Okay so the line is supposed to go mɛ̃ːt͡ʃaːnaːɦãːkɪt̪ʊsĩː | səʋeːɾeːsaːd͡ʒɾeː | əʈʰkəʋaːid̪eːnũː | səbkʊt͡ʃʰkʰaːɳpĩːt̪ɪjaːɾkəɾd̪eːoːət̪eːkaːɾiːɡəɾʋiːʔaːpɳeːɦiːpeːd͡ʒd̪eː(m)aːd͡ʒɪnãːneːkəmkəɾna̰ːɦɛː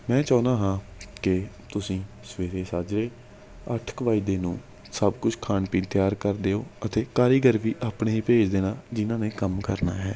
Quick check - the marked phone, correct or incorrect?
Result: incorrect